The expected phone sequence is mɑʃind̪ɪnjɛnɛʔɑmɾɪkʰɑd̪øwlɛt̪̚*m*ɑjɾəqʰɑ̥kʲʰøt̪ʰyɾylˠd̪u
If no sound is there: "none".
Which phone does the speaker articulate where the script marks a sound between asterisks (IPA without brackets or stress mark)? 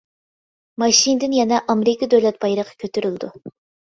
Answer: b